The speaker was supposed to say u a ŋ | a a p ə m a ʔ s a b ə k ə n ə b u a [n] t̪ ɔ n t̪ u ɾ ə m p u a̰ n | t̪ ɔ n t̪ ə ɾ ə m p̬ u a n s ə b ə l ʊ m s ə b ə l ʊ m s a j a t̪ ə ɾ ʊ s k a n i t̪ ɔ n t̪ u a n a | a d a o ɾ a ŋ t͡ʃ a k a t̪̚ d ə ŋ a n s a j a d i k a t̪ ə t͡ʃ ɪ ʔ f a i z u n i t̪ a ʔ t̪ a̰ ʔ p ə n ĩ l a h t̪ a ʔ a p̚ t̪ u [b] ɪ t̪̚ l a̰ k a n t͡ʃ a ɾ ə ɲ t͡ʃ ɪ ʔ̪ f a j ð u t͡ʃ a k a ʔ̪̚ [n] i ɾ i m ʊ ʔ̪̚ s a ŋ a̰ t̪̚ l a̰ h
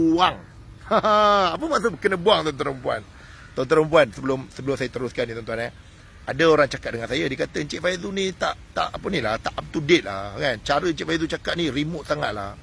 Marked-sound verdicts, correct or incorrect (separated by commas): incorrect, incorrect, correct